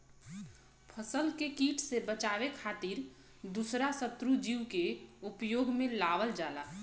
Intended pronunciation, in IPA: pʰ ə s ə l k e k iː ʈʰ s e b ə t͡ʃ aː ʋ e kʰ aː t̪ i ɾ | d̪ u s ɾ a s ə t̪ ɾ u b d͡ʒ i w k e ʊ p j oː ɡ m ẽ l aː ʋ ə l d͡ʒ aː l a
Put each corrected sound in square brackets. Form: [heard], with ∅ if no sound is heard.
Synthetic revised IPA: pʰ ə s ə l k e k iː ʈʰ s e b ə t͡ʃ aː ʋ e kʰ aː t̪ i ɾ | d̪ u s ɾ a s ə t̪ ɾ u [∅] d͡ʒ i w k e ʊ p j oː ɡ m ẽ l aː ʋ ə l d͡ʒ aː l a